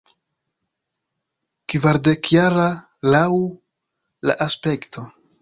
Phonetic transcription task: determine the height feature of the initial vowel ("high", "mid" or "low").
low